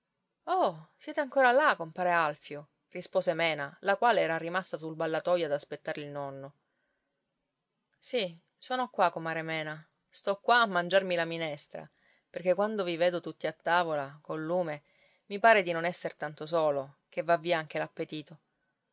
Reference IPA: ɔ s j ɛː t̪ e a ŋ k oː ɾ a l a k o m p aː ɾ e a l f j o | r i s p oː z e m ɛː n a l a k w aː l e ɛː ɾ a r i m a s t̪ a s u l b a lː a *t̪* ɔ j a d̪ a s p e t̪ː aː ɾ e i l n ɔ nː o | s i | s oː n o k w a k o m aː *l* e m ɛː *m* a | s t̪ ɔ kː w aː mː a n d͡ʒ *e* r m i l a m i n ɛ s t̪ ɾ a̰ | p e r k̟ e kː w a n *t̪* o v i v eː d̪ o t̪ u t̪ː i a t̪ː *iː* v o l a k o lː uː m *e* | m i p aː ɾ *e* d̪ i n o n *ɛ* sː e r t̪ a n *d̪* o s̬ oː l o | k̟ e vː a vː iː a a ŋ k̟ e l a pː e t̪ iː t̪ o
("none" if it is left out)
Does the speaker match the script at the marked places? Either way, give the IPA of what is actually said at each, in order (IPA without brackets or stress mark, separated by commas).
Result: t̪, ɾ, n, a, d̪, aː, e, e, ɛ, t̪